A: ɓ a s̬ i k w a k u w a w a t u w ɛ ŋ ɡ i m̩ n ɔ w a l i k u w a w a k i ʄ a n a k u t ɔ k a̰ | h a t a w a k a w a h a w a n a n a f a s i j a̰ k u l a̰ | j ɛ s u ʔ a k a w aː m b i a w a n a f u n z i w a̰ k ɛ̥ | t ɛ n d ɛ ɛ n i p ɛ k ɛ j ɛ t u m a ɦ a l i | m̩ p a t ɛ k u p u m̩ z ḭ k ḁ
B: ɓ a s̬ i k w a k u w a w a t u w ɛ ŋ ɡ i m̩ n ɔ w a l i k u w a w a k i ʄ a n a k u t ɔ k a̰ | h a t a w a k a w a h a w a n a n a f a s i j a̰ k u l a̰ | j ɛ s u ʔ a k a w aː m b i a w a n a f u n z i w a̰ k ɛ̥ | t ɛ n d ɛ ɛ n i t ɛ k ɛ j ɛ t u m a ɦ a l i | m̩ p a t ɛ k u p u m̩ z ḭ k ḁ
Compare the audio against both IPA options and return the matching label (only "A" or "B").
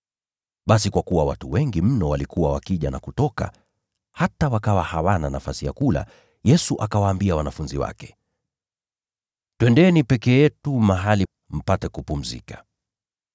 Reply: A